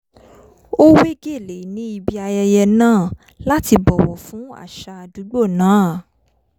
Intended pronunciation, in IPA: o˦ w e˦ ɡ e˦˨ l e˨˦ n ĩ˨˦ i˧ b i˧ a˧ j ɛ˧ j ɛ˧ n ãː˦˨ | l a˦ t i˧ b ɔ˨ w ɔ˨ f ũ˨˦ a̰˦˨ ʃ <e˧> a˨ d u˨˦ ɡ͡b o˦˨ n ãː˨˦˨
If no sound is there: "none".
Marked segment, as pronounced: a˧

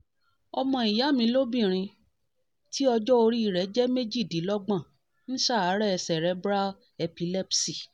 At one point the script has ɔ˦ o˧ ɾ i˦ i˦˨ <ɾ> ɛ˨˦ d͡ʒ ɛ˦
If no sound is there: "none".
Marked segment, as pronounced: ɾ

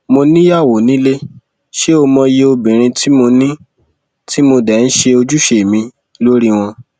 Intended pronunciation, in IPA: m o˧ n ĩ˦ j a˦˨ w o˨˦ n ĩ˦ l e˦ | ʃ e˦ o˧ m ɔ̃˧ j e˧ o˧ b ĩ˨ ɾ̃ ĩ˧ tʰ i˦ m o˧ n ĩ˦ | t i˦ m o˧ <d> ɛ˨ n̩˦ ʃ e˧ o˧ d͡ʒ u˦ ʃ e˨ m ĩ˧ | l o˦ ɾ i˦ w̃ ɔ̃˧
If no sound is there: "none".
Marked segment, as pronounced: d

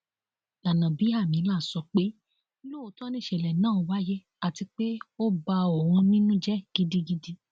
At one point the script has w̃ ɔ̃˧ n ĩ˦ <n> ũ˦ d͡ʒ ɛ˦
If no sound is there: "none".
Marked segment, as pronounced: n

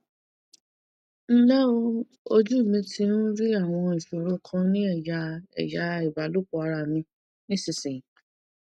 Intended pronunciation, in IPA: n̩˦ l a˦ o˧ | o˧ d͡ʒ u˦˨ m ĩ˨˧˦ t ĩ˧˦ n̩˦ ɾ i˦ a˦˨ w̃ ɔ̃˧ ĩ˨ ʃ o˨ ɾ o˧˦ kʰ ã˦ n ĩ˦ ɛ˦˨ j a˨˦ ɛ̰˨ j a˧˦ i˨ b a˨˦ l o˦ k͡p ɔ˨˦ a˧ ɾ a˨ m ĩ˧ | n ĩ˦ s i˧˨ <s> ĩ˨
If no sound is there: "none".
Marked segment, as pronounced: s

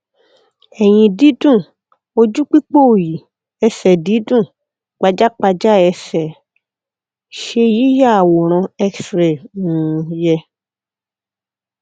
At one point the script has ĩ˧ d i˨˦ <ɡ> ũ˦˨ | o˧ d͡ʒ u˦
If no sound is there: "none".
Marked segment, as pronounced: d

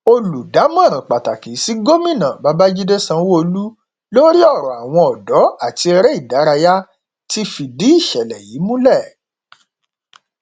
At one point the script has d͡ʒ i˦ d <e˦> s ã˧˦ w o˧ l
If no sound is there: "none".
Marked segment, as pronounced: e˦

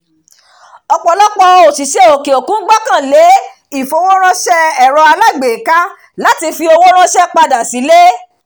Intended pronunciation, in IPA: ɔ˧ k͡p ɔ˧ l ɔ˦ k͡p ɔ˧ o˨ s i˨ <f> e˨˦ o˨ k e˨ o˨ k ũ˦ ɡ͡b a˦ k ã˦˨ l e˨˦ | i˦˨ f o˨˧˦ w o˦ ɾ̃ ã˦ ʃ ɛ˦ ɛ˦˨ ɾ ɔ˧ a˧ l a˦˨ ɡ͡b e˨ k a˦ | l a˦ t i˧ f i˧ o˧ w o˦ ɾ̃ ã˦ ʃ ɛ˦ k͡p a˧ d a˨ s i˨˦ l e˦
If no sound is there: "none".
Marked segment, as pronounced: ʃ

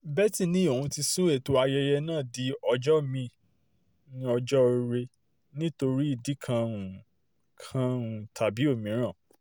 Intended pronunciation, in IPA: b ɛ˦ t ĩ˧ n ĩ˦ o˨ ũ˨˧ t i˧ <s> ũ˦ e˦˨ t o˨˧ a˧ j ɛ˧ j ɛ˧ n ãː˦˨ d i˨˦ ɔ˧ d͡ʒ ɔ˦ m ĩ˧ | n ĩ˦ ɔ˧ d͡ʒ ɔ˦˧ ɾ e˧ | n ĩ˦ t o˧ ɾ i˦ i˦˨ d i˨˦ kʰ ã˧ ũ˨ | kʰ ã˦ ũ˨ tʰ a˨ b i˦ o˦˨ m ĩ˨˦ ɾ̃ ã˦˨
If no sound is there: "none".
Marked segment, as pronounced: s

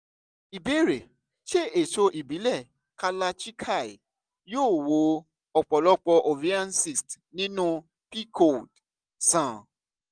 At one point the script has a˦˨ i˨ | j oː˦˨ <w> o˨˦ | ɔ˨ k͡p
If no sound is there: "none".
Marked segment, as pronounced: w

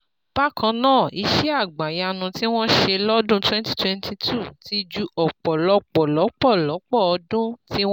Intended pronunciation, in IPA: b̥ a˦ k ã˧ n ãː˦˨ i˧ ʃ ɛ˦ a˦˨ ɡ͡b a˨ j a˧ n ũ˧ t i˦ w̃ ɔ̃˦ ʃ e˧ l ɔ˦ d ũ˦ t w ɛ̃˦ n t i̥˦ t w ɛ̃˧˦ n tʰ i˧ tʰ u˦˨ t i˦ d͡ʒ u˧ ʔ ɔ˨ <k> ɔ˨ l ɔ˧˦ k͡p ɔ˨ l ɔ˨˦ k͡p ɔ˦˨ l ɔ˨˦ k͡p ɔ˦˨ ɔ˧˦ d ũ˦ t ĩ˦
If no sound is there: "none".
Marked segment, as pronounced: k͡p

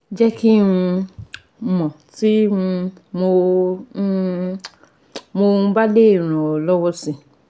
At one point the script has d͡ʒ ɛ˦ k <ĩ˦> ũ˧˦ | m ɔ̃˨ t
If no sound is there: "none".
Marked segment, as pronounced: i˦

